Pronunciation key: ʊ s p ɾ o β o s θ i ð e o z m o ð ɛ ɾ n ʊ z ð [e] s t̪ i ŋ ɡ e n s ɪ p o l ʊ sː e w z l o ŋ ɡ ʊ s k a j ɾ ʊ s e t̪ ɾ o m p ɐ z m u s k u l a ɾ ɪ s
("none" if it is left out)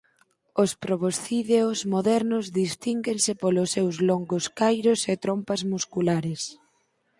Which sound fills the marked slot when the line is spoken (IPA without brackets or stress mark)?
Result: i